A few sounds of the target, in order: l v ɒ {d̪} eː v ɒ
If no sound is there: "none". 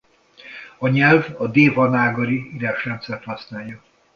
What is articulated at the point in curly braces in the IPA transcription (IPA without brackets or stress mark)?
d̪